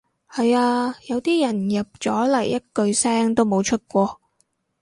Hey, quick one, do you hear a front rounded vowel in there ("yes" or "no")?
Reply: no